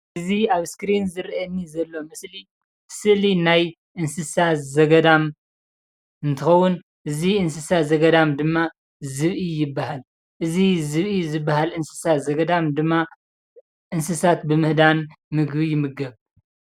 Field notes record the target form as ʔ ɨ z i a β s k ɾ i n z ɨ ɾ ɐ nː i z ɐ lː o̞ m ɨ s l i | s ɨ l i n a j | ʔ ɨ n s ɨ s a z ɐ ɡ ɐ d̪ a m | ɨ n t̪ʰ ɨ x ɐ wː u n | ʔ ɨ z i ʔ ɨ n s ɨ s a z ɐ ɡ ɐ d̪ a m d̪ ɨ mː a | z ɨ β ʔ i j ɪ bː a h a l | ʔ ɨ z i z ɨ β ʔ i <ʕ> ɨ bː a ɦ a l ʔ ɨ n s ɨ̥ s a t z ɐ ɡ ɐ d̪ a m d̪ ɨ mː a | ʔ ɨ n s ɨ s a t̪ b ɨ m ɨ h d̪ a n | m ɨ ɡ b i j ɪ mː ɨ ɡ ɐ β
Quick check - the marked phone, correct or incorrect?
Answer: incorrect